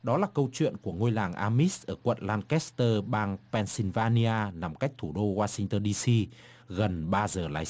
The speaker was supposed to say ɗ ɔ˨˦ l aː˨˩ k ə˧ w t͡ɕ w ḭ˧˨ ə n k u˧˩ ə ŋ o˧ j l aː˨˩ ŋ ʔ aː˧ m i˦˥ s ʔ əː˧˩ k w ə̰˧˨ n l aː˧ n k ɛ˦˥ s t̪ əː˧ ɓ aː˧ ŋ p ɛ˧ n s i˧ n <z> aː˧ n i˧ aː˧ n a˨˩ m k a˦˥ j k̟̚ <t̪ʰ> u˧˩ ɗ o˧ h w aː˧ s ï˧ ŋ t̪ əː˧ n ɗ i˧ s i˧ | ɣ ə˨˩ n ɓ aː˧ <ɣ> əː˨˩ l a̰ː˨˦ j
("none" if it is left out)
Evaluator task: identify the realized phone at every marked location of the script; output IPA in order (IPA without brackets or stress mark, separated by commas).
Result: v, t̪ʰ, z